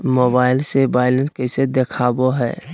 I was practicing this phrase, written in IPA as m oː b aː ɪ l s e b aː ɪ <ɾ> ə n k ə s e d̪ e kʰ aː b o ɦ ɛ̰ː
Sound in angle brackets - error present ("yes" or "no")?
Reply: yes